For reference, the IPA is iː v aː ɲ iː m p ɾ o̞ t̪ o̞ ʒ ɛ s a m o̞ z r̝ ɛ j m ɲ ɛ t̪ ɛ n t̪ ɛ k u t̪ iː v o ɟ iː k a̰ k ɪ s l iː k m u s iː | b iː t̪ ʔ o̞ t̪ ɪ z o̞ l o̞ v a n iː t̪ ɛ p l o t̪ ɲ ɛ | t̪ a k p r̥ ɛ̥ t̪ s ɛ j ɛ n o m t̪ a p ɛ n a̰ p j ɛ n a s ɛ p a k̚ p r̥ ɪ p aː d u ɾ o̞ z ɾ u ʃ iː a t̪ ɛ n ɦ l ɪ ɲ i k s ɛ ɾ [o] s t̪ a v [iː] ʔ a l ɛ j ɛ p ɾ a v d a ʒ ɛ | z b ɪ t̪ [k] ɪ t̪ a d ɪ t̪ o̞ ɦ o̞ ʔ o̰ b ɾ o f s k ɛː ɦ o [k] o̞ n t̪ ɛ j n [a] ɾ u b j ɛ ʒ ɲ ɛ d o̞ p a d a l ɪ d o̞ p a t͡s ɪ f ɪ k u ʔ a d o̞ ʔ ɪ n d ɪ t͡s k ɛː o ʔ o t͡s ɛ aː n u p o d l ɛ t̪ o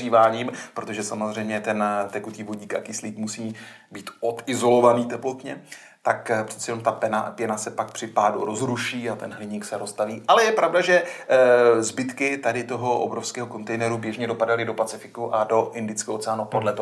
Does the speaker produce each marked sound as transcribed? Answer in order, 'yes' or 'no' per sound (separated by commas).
yes, yes, yes, yes, no